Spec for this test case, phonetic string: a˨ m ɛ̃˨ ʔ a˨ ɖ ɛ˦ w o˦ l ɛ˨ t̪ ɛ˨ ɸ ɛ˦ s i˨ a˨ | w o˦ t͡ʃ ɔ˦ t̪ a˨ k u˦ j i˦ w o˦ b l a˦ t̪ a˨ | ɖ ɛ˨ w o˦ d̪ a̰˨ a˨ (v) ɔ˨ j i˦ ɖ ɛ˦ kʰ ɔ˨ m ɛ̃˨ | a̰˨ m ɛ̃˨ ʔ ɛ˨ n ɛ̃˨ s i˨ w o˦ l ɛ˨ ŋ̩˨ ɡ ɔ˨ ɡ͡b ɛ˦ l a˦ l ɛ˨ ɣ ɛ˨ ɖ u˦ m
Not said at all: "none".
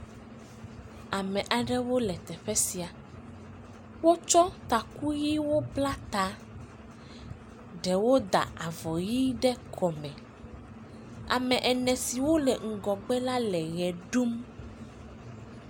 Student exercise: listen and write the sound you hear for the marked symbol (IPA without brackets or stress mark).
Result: v